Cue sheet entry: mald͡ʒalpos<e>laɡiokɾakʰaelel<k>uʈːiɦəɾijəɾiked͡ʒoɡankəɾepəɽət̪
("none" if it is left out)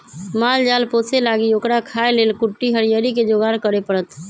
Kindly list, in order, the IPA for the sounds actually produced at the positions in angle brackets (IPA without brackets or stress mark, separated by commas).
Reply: e, k